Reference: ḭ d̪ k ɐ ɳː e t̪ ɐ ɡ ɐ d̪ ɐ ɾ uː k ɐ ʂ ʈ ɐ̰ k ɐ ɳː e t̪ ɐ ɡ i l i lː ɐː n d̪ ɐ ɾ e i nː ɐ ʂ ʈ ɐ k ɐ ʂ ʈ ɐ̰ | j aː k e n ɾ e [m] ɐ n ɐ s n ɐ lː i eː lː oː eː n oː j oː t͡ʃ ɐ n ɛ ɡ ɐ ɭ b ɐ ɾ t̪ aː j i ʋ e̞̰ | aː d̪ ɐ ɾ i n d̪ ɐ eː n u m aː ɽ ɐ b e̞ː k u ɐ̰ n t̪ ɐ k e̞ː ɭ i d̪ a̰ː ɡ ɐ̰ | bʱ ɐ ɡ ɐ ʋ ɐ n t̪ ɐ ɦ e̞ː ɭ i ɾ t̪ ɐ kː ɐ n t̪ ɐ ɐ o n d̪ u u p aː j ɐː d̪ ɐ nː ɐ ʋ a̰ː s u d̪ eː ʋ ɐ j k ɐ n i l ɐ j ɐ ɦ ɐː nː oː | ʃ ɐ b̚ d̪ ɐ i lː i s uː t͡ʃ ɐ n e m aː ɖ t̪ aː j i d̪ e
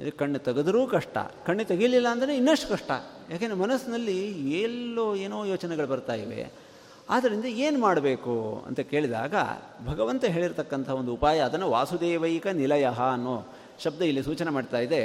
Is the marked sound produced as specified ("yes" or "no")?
yes